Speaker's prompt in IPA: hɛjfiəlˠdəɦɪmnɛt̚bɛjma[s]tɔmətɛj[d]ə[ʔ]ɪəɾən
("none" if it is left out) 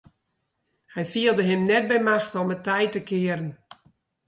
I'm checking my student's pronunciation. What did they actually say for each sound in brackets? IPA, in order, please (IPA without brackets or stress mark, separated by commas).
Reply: x, t, k